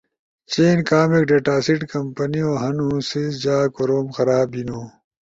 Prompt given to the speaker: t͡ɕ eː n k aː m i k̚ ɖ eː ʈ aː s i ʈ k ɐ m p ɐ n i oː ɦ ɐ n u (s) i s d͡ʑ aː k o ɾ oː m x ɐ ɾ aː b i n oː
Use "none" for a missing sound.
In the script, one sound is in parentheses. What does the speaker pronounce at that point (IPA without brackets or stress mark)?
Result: s